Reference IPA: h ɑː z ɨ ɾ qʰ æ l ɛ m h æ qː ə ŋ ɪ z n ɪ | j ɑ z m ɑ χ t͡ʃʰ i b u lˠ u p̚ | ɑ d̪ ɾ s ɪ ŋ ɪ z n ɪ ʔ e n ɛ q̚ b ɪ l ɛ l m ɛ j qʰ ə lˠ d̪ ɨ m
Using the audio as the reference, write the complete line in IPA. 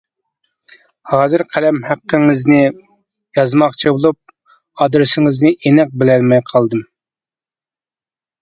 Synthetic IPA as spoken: h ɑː z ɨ ɾ qʰ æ l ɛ m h æ qː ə ŋ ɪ z n ɪ | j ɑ z m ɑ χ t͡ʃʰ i b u lˠ u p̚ | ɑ d̪ ɾ s ɪ ŋ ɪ z n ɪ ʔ e n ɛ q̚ b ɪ l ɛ l m ɛ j qʰ ɑ lˠ d̪ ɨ m